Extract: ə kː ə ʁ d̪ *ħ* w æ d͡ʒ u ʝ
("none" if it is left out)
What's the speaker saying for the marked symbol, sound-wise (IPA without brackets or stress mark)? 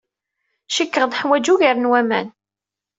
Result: ħ